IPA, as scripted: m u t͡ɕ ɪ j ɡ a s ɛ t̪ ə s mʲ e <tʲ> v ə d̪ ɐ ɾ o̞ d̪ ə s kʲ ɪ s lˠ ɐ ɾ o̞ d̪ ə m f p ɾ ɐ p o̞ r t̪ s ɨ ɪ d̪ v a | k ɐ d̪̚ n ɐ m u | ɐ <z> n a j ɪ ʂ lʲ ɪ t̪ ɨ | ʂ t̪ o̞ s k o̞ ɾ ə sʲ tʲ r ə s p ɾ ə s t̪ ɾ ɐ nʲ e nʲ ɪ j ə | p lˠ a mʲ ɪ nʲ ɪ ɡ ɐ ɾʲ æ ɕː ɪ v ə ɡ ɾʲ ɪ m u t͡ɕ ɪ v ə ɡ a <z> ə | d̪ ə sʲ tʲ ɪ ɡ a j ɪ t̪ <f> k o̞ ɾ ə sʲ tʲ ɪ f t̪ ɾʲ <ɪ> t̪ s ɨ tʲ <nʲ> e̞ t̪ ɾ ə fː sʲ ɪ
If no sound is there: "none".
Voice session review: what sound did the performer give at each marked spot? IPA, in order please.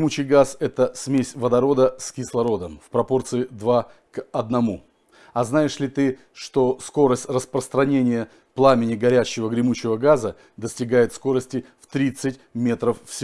sʲ, z, z, s, i, mʲ

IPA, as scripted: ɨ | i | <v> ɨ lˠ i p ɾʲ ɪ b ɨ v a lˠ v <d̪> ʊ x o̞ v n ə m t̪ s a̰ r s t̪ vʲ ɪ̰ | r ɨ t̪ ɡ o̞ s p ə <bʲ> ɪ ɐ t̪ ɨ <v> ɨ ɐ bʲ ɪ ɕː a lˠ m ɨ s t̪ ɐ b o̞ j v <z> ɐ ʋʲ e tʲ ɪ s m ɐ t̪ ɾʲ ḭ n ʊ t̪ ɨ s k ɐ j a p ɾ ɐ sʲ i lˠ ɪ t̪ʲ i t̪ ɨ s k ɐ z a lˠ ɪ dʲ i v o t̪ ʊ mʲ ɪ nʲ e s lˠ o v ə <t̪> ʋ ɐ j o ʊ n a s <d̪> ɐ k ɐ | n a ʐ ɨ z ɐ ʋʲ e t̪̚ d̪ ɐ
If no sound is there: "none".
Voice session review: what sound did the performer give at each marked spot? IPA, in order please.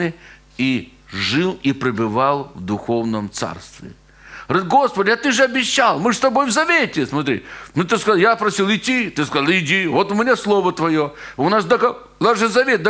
ʐ, d̪, dʲ, ʐ, z, t̪, d̪

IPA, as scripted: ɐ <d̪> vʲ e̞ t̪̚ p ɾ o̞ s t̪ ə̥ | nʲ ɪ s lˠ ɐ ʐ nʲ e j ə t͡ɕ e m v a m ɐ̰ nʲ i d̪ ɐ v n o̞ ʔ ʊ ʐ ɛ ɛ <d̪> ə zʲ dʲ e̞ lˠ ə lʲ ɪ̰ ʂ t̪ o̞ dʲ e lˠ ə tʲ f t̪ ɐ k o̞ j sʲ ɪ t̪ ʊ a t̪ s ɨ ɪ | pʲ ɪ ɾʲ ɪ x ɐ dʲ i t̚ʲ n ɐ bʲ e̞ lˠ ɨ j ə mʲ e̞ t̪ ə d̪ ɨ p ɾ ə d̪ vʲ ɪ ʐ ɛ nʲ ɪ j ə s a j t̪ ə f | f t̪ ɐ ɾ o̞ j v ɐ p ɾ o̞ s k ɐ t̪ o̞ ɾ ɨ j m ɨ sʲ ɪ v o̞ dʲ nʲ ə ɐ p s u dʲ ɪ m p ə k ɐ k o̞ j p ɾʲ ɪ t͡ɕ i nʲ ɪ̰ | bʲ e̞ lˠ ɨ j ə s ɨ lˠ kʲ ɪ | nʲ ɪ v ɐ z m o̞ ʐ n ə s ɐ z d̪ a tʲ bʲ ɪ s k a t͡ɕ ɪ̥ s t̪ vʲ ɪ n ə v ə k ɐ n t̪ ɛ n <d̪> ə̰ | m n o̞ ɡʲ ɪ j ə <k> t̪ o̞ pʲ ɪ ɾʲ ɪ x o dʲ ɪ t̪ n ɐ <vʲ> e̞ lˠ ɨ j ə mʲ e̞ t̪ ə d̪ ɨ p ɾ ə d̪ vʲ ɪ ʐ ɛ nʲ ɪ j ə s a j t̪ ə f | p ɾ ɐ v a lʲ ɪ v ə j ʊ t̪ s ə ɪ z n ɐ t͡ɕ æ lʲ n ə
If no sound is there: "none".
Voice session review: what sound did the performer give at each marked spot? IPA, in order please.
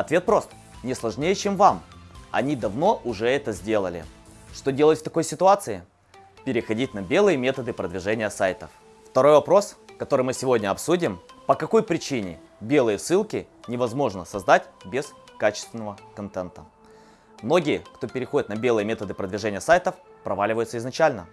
t̪, t̪, t̪, k, bʲ

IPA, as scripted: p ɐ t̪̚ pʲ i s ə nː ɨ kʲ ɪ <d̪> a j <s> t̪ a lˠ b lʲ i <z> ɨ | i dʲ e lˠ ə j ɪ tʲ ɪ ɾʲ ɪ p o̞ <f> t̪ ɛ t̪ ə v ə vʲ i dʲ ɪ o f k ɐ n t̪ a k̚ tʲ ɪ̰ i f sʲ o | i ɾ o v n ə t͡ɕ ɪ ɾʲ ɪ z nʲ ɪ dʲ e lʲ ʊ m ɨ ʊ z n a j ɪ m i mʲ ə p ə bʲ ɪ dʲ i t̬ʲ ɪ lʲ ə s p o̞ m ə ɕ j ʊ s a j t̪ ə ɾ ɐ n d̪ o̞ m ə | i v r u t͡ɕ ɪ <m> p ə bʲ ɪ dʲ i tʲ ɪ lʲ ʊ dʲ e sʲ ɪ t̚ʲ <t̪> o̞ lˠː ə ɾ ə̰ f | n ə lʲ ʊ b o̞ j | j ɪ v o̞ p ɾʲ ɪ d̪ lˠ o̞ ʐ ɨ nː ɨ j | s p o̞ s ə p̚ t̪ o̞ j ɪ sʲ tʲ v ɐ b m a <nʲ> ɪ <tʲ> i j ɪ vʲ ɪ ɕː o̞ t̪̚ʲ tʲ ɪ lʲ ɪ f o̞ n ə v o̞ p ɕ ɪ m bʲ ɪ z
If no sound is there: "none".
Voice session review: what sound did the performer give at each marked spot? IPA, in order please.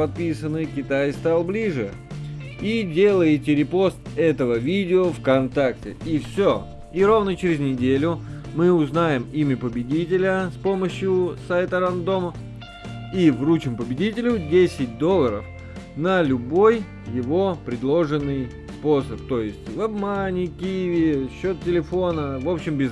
t̪, s, ʐ, s, m, d̪, nʲ, kʲ

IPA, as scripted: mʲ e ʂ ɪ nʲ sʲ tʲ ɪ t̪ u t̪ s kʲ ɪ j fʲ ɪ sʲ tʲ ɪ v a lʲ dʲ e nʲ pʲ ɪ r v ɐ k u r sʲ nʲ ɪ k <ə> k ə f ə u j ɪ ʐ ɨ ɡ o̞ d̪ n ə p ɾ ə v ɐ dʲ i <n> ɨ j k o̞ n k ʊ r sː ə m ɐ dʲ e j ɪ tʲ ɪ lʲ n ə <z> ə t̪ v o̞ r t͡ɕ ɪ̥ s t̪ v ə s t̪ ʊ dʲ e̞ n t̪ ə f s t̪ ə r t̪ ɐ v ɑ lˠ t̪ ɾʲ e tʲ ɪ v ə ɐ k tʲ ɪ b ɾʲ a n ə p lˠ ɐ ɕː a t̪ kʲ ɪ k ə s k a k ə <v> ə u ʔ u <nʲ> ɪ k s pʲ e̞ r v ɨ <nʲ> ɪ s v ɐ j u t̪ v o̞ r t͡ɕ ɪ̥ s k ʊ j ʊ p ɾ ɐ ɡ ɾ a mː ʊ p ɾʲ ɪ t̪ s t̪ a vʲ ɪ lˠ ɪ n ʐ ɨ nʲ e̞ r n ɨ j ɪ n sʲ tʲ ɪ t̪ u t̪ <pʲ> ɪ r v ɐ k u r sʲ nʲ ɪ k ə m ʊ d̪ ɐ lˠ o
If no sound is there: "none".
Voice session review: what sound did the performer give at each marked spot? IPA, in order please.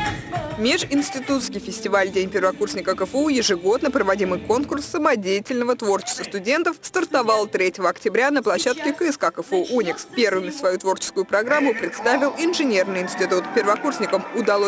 ə, m, v, f, nʲ, mʲ, pʲ

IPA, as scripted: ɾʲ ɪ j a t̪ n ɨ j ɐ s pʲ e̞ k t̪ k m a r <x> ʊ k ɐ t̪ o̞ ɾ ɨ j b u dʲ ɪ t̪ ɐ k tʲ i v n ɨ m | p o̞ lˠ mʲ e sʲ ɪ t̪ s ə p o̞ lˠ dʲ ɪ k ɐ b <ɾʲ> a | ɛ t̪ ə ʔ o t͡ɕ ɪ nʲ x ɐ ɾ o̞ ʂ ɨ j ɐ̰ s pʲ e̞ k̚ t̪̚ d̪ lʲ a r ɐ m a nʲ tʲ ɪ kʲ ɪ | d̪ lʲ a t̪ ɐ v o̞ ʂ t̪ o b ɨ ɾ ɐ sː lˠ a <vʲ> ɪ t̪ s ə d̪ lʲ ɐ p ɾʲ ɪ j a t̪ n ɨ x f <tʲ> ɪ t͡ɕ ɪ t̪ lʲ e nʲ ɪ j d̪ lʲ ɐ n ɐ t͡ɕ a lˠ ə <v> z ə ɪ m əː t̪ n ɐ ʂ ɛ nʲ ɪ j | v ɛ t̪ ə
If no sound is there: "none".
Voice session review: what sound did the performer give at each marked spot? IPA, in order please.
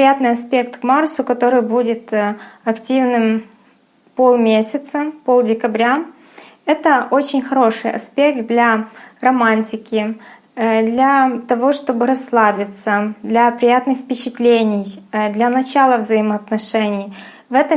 s, ɾʲ, bʲ, pʲ, v

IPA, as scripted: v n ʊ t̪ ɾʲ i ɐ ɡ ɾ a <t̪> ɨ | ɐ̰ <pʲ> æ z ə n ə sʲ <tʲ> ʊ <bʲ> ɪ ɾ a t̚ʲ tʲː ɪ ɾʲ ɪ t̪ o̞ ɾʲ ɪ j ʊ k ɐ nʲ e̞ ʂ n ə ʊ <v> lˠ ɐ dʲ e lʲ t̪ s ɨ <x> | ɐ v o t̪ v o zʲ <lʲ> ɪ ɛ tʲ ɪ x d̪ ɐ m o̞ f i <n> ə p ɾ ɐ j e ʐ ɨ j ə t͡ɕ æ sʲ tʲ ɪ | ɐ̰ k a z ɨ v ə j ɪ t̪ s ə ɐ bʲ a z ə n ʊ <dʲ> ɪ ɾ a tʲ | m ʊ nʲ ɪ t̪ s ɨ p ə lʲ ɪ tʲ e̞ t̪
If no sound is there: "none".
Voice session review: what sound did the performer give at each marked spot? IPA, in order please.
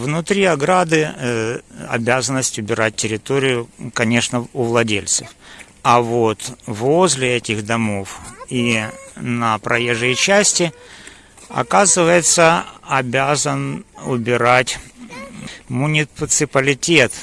d̪, bʲ, tʲ, bʲ, v, f, lʲ, n, bʲ

